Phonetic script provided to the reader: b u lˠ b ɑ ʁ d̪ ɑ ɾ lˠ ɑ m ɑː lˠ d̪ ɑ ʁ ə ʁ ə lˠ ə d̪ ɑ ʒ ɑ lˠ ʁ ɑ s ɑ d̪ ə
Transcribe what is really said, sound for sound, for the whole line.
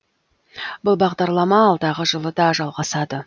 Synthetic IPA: b ʊ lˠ b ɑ ʁ d̪ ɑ ɾ lˠ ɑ m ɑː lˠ d̪ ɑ ʁ ə ʒ ə lˠ ə d̪ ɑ ʒ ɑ lˠ ʁ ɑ s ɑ d̪ ə

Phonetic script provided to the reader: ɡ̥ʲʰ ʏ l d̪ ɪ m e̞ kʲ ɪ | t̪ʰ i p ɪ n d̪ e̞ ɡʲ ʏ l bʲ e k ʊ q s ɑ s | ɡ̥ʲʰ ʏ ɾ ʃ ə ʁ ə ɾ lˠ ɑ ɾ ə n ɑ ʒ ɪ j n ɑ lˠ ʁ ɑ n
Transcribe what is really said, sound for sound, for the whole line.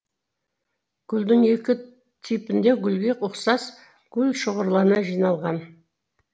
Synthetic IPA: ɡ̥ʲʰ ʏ l d̪ ɪ ŋ e̞ kʲ ɪ | t̪ʰ i p ɪ n d̪ e̞ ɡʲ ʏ l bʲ e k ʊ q s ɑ s | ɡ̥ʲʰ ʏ l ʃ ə ʁ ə ɾ lˠ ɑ ɾ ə n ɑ ʒ i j n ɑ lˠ ʁ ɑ n

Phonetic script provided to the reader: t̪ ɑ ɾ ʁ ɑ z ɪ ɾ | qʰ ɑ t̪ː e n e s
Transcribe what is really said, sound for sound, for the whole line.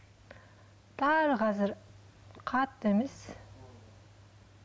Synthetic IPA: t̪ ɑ ɾ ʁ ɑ z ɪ ɾ | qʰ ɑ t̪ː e m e s

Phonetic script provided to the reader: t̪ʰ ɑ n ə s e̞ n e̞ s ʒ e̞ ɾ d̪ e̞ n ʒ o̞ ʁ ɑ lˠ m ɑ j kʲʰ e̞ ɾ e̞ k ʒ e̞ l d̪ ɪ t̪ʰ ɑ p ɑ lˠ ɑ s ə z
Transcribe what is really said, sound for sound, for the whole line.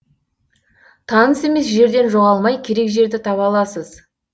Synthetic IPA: t̪ʰ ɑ n ə s e̞ m e̞ s ʒ e̞ ɾ d̪ e̞ n ʒ o̞ ʁ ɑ lˠ m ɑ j kʲʰ e̞ ɾ e̞ k ʒ e̞ ɾ d̪ ɪ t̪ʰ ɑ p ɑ lˠ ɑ s ə z

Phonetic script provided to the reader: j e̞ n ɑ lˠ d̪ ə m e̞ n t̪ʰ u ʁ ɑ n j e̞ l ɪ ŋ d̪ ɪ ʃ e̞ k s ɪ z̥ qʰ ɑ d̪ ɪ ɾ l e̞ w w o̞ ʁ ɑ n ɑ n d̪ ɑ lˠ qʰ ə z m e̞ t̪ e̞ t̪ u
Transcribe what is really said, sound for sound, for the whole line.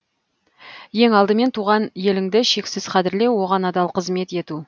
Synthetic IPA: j e̞ ŋ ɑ lˠ d̪ ə m e̞ n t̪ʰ u ʁ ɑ n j e̞ l ɪ ŋ d̪ ɪ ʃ e̞ k s ɪ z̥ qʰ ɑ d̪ ɪ ɾ l e̞ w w o̞ ʁ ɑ n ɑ d̪ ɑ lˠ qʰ ə z m e̞ t̪ e̞ t̪ u

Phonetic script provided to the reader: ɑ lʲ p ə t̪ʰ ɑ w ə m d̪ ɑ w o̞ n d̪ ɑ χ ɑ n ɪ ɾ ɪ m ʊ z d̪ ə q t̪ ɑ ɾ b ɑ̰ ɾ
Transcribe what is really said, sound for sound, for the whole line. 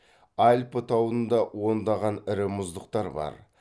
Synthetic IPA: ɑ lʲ p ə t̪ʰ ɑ w ə n d̪ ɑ w o̞ n d̪ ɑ ʁ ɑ n ɪ ɾ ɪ m ʊ z d̪ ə q t̪ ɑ ɾ b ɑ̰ ɾ

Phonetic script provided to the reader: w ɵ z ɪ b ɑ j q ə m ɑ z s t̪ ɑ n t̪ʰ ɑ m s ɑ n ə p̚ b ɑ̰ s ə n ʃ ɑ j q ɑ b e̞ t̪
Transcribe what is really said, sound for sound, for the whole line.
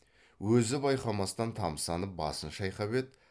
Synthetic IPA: w ɵ z ɪ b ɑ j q ɑ m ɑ s t̪ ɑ n t̪ʰ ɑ m s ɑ n ə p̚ b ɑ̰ s ə n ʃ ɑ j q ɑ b e̞ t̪

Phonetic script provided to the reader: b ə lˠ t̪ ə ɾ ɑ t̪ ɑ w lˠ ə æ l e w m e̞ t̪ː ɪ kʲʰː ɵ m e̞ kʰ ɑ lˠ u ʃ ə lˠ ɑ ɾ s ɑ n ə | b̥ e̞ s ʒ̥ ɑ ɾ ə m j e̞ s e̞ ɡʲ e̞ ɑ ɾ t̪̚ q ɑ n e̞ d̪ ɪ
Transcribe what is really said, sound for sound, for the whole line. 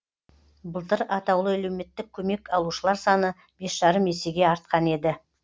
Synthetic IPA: b ə lˠ t̪ ə ɾ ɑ t̪ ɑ w lˠ ə æ l e w m e̞ t̪ː ɪ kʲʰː ɵ m e̞ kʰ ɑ lˠ u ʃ ə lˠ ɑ ɾ s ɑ n ə | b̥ e̞ s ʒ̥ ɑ ɾ ə m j e̞ s e̞ ɡʲ e̞ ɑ ɾ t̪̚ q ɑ n e̞ d̪ ɪ

